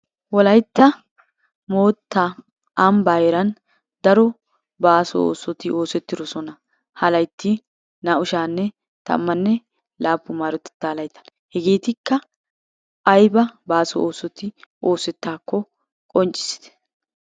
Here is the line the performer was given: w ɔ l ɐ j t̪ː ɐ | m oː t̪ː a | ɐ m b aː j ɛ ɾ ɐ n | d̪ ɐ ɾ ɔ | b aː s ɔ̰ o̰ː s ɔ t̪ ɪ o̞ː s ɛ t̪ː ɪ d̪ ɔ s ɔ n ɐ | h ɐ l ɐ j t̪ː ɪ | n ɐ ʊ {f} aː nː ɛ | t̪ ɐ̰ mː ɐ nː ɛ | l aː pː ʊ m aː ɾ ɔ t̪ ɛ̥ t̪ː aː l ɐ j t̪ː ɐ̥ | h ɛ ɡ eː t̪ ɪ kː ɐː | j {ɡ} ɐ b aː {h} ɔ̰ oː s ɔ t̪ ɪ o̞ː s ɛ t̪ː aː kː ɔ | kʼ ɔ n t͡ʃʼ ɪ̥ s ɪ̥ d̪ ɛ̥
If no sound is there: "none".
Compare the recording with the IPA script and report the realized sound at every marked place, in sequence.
ʃ, b, s

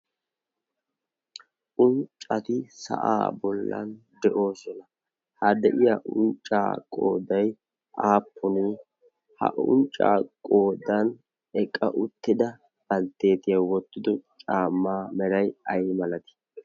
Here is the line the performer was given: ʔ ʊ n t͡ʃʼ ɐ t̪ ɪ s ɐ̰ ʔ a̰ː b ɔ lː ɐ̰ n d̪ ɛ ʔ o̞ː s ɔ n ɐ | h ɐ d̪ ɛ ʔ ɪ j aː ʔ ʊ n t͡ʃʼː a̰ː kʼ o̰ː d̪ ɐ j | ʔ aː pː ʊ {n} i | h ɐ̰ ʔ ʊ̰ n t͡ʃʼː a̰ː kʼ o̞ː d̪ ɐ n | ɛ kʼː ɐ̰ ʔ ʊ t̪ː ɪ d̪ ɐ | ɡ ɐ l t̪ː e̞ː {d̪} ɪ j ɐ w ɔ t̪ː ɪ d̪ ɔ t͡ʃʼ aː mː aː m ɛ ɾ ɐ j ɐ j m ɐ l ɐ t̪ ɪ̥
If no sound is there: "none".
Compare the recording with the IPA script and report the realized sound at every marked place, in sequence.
n, t̪

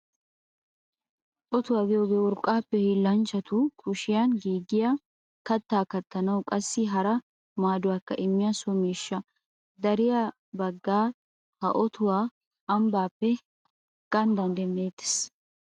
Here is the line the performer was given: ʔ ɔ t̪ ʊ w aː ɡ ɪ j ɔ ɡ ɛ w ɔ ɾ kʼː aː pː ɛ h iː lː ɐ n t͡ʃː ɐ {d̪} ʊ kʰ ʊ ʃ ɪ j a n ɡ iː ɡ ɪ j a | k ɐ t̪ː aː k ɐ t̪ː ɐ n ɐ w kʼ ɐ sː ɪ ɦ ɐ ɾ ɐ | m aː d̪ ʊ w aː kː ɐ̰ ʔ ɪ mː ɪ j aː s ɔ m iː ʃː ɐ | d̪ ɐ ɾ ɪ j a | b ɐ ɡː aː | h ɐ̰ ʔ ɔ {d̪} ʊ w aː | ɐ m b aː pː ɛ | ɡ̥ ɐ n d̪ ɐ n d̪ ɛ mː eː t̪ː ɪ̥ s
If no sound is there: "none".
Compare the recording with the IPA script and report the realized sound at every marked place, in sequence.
t̪, t̪

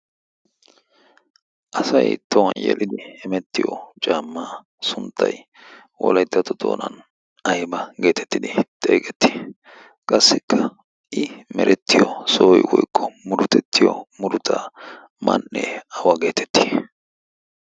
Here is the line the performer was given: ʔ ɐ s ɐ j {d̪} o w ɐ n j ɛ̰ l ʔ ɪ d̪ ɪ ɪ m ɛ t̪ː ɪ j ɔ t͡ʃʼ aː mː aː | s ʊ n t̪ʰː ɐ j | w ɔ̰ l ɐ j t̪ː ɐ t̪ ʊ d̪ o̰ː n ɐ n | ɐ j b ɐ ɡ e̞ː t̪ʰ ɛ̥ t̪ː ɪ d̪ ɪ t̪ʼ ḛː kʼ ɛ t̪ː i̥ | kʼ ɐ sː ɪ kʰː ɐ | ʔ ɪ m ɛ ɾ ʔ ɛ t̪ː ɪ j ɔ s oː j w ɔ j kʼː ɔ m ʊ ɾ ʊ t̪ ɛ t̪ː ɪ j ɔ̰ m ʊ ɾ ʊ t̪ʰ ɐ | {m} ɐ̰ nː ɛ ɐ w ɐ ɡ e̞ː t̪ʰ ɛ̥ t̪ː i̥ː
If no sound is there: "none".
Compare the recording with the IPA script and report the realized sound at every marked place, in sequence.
t̪, m

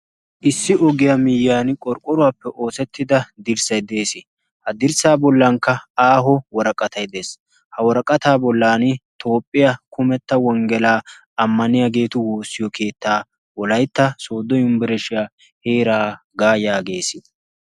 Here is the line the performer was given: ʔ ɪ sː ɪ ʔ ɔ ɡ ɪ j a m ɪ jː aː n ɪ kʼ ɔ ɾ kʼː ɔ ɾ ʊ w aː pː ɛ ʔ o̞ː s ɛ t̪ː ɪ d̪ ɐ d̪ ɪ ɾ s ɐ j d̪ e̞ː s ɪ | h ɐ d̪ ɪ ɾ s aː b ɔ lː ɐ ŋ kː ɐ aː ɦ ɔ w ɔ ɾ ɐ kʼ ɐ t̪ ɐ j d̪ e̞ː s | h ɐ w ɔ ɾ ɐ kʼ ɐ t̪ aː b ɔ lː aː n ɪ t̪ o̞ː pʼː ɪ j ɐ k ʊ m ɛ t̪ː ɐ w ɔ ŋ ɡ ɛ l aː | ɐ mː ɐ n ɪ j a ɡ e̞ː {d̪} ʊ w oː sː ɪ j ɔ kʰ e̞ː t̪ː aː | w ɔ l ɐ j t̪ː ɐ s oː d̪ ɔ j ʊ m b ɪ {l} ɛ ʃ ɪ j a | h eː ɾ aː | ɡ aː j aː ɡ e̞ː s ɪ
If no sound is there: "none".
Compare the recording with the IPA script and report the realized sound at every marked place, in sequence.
t̪, ɾ

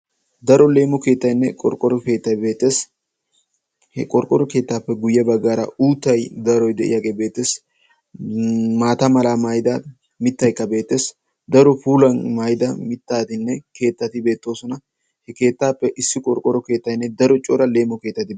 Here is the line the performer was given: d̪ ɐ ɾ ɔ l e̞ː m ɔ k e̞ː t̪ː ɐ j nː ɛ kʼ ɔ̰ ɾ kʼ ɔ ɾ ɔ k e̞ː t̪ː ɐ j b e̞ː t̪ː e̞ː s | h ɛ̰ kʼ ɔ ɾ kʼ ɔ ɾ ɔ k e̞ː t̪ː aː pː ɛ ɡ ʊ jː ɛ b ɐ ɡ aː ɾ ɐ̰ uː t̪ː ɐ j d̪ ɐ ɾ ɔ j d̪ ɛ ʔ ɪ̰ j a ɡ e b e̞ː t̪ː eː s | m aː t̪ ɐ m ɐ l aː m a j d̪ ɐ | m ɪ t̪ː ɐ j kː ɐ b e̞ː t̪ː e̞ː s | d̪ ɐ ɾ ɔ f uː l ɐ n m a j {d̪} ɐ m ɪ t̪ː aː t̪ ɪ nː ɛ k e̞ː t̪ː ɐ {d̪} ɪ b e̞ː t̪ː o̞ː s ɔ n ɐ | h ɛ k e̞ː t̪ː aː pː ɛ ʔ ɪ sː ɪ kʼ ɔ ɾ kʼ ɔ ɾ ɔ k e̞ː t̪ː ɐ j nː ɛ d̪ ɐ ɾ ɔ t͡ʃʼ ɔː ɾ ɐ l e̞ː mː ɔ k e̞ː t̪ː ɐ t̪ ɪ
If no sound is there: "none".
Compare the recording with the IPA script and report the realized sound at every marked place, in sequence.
d̪, t̪

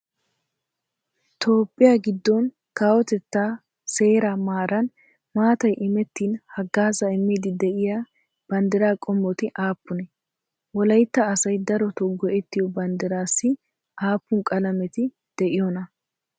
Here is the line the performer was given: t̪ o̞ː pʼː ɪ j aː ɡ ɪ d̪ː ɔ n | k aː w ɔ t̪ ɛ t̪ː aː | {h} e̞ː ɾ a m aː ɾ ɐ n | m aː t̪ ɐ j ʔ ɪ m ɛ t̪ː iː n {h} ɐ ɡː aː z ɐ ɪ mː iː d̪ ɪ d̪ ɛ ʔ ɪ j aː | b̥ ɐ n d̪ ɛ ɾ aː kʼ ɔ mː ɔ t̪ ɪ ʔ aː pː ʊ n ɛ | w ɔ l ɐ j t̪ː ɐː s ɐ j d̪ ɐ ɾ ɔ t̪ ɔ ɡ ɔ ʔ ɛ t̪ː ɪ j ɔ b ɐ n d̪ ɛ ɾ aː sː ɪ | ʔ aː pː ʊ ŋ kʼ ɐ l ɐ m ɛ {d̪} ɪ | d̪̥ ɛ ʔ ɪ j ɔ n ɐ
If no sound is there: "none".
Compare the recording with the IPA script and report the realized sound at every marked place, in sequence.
s, h, t̪

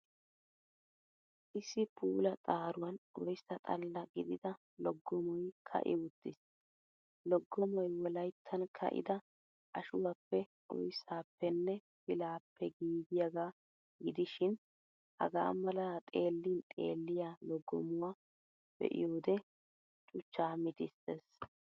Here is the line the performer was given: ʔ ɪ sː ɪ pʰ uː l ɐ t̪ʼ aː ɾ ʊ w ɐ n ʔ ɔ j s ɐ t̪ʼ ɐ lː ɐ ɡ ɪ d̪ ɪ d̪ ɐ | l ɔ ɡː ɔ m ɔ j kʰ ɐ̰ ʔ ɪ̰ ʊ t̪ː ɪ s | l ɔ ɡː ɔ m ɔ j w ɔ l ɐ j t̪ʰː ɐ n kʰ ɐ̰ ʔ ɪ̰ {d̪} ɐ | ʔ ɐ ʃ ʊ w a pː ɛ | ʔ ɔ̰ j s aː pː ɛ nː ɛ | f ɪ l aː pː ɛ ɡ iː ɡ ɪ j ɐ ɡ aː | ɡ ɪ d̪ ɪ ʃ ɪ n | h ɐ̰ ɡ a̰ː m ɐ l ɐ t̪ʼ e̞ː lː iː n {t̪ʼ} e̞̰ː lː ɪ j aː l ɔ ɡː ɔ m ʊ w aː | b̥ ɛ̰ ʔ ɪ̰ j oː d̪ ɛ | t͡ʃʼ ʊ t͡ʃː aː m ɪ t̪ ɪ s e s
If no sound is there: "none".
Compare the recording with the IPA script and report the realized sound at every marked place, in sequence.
d̪, t̪ʼ

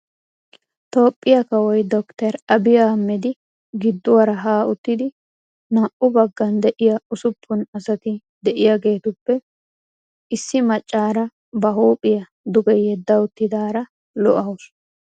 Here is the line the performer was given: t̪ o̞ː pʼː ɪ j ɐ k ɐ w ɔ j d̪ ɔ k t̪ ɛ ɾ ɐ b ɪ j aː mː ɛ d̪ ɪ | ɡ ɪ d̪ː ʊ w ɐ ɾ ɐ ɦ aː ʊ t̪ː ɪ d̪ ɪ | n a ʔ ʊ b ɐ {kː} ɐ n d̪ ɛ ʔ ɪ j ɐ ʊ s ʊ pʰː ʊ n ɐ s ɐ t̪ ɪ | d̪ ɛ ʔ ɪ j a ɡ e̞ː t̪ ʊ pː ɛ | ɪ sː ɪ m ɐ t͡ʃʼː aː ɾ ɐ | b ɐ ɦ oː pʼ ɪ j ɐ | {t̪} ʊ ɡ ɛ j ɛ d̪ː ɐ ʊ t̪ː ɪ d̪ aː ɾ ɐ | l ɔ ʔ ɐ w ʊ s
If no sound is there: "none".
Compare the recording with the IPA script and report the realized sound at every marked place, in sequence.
ɡː, d̪

